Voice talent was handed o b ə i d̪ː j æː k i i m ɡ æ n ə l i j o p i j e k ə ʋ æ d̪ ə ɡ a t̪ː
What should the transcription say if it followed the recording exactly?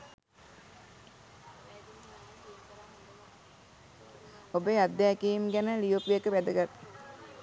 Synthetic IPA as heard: o b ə a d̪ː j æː k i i m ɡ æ n ə l i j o p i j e k ə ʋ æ d̪ ə ɡ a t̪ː